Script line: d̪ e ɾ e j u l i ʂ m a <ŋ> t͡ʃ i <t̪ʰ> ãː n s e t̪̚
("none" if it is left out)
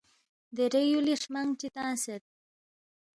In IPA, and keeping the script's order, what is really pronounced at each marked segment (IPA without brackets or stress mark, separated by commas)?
ŋ, t̪